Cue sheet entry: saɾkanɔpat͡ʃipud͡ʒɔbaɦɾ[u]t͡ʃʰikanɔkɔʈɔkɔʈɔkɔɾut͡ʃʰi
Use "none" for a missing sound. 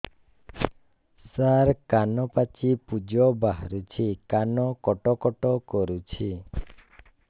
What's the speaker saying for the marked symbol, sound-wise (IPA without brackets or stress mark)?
u